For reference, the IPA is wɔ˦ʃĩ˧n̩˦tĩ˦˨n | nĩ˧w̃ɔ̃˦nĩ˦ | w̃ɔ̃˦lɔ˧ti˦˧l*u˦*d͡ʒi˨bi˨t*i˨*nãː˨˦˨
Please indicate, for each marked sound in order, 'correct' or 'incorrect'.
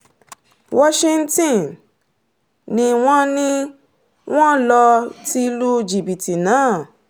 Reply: correct, correct

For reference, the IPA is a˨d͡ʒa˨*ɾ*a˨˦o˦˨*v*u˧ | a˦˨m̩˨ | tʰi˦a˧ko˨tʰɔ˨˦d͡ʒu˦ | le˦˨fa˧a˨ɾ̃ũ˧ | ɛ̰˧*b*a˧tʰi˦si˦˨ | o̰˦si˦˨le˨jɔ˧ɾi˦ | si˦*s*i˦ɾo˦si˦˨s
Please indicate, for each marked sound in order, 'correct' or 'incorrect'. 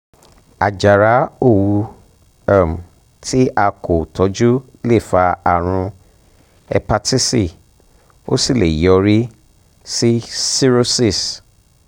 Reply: correct, incorrect: w, incorrect: p, correct

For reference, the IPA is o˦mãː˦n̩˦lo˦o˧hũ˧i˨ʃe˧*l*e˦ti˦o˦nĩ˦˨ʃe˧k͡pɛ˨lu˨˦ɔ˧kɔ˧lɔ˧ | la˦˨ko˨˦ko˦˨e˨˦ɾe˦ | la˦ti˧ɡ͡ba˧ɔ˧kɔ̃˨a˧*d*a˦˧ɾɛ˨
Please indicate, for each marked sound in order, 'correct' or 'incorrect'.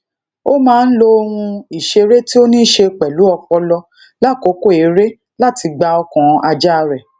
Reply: incorrect: ɾ, incorrect: d͡ʒ

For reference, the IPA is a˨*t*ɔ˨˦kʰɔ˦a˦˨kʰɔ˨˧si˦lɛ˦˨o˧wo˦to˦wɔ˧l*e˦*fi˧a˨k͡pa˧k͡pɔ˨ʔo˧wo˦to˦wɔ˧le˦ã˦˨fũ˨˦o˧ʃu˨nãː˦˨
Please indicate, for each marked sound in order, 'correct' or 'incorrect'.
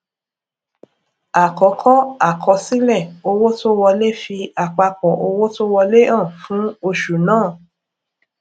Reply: incorrect: k, correct

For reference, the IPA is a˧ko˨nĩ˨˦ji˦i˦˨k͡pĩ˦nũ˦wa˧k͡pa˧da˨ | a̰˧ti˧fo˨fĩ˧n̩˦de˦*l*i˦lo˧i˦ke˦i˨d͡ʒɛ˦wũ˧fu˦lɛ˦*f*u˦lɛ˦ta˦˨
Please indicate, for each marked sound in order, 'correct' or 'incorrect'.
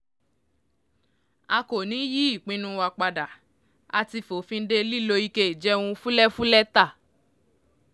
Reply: correct, correct

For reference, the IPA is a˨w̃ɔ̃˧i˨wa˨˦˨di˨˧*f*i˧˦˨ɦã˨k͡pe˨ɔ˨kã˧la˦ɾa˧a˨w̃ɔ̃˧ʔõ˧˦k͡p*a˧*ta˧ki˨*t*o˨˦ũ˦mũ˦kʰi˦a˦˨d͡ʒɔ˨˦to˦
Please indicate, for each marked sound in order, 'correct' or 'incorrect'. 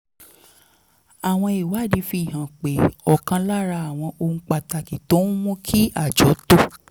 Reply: correct, correct, correct

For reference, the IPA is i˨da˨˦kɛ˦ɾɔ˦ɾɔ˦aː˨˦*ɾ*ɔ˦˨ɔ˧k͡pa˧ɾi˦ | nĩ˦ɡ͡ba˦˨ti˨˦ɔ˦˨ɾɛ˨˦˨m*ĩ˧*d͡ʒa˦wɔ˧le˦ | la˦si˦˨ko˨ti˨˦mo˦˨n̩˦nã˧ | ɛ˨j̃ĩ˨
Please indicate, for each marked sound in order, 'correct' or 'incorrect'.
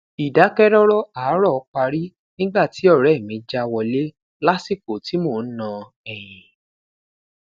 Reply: correct, correct

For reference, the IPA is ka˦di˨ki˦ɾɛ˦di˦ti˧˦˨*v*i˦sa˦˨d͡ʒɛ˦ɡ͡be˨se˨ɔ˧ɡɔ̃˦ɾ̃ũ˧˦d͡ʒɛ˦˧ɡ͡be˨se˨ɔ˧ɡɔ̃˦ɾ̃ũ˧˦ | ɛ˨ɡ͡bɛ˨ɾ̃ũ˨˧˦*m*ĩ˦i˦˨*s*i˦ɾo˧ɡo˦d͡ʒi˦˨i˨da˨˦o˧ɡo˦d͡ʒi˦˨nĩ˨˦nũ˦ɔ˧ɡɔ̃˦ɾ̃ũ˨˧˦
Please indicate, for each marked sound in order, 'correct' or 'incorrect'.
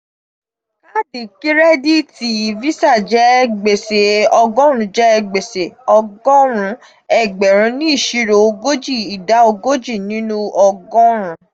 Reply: correct, incorrect: n, incorrect: ʃ

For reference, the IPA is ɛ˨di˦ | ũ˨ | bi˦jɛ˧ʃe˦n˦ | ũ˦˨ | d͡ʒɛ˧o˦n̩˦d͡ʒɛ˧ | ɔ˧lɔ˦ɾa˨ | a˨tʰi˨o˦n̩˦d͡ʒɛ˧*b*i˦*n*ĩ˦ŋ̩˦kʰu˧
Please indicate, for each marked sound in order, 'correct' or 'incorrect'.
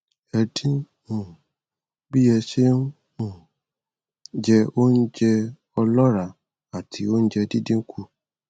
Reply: incorrect: d, incorrect: d

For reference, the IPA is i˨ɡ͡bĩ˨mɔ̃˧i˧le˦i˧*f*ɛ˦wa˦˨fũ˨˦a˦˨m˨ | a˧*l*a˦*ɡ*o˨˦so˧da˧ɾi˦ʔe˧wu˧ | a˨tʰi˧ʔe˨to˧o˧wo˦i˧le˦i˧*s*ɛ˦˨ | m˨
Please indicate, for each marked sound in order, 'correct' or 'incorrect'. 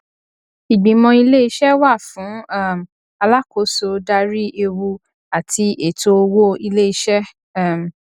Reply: incorrect: ʃ, correct, incorrect: k, incorrect: ʃ

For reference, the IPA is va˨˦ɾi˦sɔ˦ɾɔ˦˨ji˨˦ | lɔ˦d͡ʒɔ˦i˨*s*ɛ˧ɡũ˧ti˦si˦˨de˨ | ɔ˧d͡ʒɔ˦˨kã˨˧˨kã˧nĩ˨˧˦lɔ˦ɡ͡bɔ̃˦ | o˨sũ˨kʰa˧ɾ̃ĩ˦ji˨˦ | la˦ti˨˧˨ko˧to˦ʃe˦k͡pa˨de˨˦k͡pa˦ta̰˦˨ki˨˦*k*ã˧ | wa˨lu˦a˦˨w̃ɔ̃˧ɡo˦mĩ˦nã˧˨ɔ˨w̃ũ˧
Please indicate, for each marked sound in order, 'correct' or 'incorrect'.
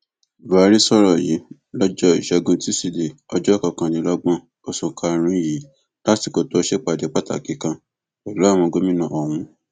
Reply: incorrect: ʃ, correct

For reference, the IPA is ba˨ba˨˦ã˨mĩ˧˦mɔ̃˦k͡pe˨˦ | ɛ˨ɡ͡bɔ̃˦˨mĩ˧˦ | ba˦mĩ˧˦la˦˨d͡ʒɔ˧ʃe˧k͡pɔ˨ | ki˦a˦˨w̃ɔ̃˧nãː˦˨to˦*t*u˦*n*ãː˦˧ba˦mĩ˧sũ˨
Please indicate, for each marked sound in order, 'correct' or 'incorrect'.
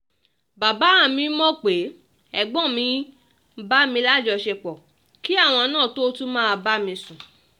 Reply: correct, incorrect: m

